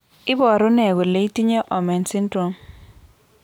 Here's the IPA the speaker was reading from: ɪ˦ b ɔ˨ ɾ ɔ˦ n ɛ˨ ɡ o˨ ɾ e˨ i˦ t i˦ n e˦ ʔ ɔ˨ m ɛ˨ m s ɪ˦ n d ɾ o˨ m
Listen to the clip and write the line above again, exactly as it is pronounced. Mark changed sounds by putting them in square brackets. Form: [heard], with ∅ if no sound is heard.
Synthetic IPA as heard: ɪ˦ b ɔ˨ ɾ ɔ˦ n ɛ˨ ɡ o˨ [l] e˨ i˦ t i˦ [ɲ] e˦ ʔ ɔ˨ m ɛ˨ [n] s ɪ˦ n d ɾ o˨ m